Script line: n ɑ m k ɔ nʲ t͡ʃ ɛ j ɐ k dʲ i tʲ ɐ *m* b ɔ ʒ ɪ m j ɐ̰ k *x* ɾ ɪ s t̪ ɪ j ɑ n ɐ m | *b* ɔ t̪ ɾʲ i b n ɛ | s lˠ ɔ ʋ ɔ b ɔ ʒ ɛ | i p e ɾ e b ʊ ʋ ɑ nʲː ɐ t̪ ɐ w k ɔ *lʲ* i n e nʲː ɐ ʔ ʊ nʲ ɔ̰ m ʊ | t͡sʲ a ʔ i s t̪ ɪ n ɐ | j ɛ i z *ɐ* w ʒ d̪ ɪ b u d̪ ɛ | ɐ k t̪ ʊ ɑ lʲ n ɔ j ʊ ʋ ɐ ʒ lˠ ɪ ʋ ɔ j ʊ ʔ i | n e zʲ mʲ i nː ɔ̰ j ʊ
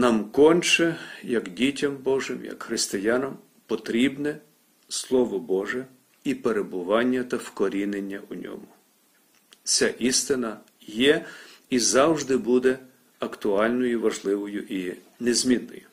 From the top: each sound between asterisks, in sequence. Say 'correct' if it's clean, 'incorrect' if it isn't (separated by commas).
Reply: correct, correct, incorrect, incorrect, incorrect